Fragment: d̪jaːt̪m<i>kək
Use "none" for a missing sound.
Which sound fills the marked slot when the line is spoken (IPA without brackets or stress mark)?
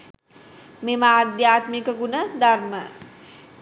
i